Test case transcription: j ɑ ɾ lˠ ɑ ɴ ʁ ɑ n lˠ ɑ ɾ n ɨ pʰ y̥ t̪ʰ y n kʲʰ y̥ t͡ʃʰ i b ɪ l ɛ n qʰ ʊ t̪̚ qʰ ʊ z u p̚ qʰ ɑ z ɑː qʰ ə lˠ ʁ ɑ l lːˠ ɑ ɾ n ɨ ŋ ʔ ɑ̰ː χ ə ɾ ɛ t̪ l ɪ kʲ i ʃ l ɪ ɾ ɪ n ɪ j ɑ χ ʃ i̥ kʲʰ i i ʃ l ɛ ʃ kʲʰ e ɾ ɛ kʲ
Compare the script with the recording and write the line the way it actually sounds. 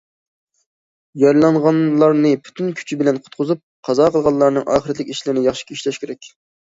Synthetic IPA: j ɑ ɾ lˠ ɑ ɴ ʁ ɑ n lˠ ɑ ɾ n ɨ pʰ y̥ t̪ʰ y n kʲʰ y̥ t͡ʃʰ i b ɪ l ɛ n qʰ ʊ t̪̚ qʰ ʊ z u p̚ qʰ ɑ z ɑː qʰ ə lˠ ʁ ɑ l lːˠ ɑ ɾ n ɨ ŋ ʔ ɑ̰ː χ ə ɾ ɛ t̪ l ɪ kʲ i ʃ l ɪ ɾ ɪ n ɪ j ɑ χ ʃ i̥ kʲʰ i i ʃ l ɛ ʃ kʲ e ɾ ɛ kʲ